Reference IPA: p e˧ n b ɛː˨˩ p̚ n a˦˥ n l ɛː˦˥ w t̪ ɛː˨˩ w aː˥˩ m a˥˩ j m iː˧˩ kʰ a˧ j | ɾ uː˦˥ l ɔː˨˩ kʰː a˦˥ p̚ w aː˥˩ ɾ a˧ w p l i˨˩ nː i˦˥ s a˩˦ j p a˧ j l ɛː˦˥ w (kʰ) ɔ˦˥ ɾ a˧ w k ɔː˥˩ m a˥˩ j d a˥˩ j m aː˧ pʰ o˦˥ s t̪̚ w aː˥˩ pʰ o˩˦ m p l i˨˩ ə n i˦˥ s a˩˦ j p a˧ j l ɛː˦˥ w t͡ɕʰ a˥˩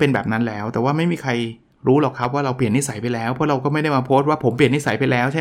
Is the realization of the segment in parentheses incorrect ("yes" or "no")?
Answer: yes